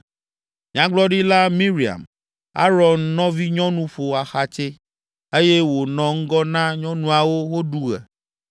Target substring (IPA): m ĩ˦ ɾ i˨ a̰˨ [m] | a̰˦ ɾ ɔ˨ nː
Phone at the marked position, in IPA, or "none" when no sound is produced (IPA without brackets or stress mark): m